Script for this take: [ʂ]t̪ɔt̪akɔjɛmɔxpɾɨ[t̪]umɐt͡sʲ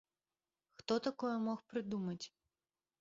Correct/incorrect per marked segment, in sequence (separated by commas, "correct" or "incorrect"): incorrect, incorrect